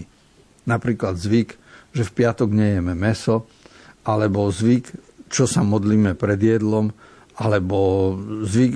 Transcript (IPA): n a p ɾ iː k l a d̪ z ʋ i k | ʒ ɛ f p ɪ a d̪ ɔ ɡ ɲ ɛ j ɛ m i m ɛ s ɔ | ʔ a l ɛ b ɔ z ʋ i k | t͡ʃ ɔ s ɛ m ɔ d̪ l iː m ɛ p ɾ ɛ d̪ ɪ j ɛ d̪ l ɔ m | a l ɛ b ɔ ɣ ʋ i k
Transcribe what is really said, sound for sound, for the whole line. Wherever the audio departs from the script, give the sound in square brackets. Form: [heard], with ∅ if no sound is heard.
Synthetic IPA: n a p ɾ iː k l a d̪ z ʋ i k | ʒ ɛ f p ɪ a [t̪] ɔ ɡ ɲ ɛ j ɛ m [ɛ] m ɛ s ɔ | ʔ a l ɛ b ɔ z ʋ i k | t͡ʃ ɔ s [a] m ɔ d̪ l iː m ɛ p ɾ ɛ d̪ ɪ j ɛ d̪ l ɔ m | a l ɛ b ɔ [z] ʋ i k